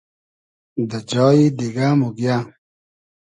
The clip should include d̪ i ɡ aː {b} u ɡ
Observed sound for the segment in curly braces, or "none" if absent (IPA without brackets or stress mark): m